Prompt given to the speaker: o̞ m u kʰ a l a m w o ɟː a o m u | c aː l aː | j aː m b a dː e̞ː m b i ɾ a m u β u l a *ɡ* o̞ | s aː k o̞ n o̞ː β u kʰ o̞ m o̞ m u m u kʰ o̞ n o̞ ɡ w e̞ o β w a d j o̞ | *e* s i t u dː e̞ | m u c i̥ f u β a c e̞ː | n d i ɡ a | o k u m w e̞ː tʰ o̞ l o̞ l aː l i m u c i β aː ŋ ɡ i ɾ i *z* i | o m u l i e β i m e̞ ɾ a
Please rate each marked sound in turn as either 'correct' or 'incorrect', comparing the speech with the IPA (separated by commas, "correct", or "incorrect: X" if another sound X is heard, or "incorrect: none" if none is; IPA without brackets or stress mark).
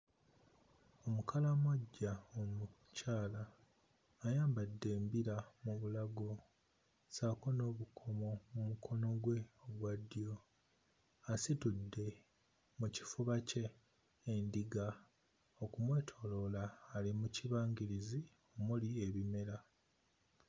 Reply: correct, incorrect: a, correct